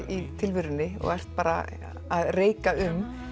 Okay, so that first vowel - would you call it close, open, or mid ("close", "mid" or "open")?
close